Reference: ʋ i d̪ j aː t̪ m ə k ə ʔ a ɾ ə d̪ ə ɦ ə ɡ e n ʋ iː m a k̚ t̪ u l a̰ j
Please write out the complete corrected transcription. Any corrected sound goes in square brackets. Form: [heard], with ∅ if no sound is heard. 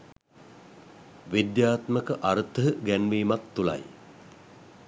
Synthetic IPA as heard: ʋ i d̪ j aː t̪ m ə k ə ʔ a ɾ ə [t̪] ə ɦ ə ɡ [æ] n ʋ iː m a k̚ t̪ u l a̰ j

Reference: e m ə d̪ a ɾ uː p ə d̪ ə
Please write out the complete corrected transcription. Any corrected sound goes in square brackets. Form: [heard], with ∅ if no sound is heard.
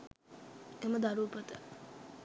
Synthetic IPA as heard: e m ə d̪ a ɾ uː p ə [t̪] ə

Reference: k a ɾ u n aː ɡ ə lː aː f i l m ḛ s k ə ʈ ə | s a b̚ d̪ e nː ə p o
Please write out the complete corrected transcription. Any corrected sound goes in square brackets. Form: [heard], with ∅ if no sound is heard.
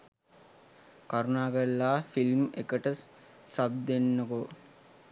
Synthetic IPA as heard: k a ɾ u n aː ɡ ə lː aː f i l m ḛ [∅] k ə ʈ ə | s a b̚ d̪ e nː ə [k] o

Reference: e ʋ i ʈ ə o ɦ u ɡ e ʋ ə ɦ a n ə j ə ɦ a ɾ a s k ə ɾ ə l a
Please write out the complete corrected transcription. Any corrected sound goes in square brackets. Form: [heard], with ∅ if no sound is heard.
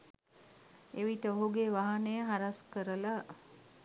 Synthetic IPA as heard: e ʋ i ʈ ə o ɦ u ɡ e ʋ [a] ɦ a n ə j ə ɦ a ɾ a s k ə ɾ ə l a

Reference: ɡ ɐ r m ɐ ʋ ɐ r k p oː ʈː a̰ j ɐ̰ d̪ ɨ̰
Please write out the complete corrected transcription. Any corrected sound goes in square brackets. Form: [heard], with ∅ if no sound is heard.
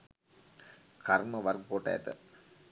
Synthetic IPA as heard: [k] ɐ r m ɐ ʋ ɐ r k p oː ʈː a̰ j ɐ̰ [t̪] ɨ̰

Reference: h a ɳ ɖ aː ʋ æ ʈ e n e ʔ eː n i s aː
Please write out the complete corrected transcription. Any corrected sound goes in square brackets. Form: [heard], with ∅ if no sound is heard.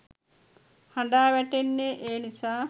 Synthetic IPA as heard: h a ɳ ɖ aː ʋ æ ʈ e [nː] e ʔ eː n i s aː

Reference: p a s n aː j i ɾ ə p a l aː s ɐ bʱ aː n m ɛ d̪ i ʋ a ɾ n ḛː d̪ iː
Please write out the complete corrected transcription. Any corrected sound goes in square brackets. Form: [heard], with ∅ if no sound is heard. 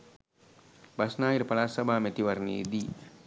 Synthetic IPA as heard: [b] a s n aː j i ɾ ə p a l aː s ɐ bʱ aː [∅] m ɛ [t̪] i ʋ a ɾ n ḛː d̪ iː

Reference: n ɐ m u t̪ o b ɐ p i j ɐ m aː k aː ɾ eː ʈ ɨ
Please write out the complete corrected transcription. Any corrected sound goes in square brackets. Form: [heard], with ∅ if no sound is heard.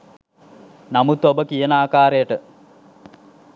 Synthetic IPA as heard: n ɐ m u t̪ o b ɐ [k] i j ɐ [n] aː k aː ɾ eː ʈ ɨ

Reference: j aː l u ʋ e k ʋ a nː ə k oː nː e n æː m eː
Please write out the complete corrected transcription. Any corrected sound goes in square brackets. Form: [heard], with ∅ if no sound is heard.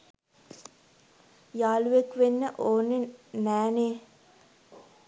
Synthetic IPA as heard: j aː l u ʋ e k ʋ [e] nː ə [ʔ] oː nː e n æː [n] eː

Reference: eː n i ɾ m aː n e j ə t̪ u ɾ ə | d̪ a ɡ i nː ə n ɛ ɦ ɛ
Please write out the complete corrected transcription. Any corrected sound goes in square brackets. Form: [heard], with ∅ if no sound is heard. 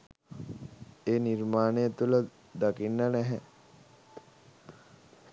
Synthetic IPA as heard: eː n i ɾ m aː n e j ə t̪ u [l] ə | d̪ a [k] i nː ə n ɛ ɦ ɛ

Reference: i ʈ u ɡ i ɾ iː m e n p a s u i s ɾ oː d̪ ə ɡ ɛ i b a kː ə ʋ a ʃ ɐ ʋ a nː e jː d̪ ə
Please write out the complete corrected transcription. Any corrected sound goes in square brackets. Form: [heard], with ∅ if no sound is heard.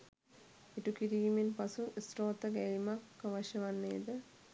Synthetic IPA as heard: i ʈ u [k] i ɾ iː m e n p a s u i s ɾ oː [t̪] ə ɡ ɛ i [m] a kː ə ʋ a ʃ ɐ ʋ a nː e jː d̪ ə

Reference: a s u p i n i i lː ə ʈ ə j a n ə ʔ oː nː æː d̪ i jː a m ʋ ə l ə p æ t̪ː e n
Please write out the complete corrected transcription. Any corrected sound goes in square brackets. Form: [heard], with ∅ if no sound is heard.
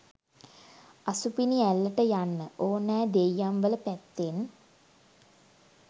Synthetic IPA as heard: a s u p i n i [æ] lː ə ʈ ə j a [nː] ə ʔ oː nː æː d̪ [e] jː a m ʋ ə l ə p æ t̪ː e n

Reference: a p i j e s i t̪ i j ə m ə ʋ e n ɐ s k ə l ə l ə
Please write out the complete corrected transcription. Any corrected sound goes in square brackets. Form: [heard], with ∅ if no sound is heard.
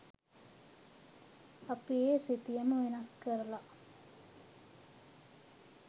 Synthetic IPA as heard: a p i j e s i t̪ i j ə m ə ʋ e n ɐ s k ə [ɾ] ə l [a]

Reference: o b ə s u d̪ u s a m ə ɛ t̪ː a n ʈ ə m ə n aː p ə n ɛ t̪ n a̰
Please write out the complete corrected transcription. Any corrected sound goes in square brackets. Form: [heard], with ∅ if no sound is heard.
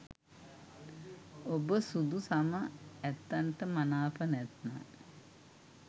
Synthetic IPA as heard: o b ə s u d̪ u s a m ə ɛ t̪ː a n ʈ ə m [a] n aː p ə n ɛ t̪ n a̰

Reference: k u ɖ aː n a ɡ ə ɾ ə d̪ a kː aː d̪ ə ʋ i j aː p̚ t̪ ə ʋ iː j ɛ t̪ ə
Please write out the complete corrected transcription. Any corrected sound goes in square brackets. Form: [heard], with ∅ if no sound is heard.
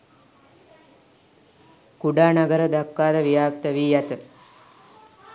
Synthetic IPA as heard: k u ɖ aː n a ɡ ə ɾ ə d̪ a kː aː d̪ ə ʋ i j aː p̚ t̪ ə ʋ iː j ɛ t̪ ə

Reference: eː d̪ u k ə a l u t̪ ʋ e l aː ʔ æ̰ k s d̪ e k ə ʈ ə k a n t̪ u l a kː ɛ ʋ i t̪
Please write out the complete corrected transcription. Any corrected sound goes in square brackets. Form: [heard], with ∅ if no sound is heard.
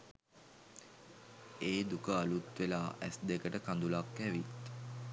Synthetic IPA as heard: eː d̪ u k ə a l u t̪ ʋ e l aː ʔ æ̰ [∅] s d̪ e k ə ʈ ə k a n [d̪] u l a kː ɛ ʋ i t̪

